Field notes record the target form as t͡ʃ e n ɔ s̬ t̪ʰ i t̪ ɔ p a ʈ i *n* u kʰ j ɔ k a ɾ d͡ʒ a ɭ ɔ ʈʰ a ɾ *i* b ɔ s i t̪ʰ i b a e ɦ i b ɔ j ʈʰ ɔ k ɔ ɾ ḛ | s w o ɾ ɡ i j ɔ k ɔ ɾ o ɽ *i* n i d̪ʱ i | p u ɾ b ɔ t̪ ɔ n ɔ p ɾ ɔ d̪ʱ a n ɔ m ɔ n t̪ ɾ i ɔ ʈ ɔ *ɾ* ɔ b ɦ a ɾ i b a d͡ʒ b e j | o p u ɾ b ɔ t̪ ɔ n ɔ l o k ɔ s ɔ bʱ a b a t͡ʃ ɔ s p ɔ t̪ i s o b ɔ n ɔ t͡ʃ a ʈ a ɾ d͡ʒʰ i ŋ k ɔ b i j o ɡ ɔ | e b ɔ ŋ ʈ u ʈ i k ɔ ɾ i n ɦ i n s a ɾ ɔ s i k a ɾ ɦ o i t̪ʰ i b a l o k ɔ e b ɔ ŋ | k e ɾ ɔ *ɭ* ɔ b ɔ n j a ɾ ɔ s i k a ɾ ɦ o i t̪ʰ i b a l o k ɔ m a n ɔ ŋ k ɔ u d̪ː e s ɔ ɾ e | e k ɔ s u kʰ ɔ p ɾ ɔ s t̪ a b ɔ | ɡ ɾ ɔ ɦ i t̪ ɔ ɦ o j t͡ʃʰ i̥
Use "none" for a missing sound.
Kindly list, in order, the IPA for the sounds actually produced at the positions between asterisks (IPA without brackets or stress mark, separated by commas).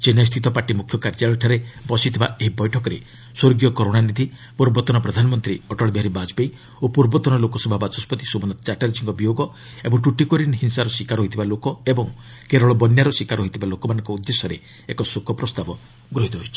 m, e, a, ɭ, ɭ